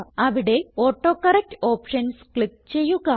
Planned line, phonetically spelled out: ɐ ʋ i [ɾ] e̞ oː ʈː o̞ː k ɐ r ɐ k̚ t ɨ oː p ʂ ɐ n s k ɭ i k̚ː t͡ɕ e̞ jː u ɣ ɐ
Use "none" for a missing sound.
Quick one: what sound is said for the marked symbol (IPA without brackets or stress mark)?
ɽ